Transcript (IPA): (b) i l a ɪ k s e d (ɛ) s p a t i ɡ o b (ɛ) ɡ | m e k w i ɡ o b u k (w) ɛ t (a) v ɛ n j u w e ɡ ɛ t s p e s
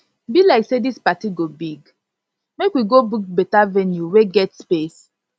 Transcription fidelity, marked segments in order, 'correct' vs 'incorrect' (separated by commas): correct, incorrect, incorrect, incorrect, correct